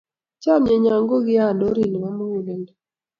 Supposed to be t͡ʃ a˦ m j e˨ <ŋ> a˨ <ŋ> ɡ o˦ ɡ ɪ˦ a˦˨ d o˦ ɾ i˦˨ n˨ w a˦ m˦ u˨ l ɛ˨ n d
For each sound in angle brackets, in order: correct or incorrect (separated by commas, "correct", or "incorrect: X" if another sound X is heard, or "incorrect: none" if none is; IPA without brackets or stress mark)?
incorrect: ɲ, correct